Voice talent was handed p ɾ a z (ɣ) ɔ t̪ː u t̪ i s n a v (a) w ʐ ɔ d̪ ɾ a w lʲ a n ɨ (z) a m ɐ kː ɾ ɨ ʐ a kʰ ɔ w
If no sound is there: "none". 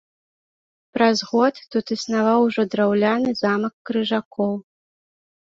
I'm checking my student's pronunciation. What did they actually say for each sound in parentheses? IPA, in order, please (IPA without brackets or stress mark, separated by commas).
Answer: ɣ, a, z